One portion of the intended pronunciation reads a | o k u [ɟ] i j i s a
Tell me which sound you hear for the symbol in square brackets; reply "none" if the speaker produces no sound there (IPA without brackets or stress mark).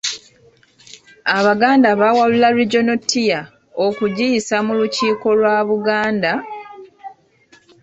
ɟ